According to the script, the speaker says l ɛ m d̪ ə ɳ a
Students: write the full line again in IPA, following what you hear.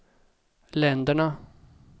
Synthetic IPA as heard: l ɛ n d̪ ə ɳ a